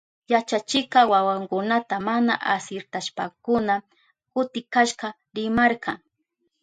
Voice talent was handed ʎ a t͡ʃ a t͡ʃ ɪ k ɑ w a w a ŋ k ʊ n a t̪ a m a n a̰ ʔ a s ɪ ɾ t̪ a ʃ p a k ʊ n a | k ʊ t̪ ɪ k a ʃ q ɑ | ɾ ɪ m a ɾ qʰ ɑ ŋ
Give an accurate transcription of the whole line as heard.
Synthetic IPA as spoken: j a t͡ʃ a t͡ʃ ɪ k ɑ w a w a ŋ k ʊ n a t̪ a m a n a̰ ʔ a s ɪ ɾ t̪ a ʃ p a k ʊ n a | k ʊ t̪ ɪ k a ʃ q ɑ | ɾ ɪ m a ɾ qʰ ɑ ŋ